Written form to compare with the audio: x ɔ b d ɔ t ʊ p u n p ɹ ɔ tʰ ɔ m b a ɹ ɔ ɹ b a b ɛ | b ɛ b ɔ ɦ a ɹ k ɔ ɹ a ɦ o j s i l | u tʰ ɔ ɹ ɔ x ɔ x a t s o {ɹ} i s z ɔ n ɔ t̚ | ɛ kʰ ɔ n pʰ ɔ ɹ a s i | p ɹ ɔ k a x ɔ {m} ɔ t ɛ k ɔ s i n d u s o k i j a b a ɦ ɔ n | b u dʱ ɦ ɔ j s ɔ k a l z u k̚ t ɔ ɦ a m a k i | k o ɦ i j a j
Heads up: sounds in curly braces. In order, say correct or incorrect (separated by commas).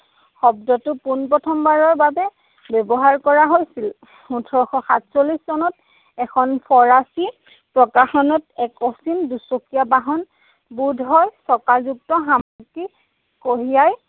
incorrect, incorrect